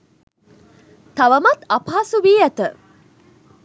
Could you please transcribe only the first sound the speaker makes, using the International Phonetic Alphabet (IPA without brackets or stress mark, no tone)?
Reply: t̪